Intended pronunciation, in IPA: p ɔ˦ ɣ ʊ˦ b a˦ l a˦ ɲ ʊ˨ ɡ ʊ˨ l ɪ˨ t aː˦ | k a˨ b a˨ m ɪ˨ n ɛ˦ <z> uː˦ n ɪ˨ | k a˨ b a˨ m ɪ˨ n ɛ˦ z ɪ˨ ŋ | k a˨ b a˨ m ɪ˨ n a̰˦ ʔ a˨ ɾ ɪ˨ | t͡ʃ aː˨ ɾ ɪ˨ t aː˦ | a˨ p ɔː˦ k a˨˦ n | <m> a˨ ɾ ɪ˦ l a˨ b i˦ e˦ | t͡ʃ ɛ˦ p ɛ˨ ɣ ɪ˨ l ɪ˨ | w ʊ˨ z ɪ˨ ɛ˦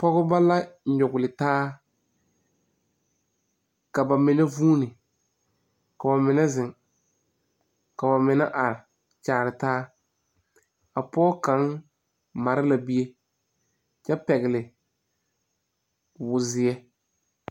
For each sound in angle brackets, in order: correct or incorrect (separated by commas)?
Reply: incorrect, correct